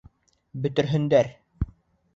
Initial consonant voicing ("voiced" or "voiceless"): voiced